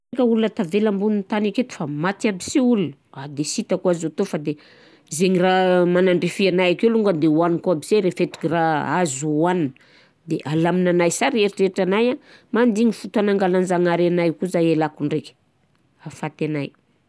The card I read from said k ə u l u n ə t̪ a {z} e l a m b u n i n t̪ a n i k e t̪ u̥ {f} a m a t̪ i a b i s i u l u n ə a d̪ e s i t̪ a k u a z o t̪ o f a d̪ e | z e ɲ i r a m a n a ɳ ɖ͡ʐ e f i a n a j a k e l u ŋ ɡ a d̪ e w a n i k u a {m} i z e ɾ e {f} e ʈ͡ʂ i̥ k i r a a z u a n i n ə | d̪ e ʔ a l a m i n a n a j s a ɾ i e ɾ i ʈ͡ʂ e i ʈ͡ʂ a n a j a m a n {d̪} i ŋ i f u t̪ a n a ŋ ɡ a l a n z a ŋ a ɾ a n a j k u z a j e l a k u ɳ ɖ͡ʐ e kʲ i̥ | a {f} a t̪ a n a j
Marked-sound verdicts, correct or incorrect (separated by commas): incorrect, correct, incorrect, correct, correct, correct